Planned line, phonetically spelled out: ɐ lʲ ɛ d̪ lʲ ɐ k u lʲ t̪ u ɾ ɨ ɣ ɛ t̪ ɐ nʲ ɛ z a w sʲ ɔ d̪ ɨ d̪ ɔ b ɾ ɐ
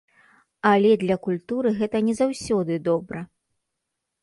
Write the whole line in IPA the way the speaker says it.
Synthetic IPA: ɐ lʲ ɛ d̪ lʲ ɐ k u lʲ t̪ u ɾ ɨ ɣ ɛ t̪ ɐ nʲ ɛ z a w sʲ ɔ d̪ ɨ d̪ ɔ b ɾ ɐ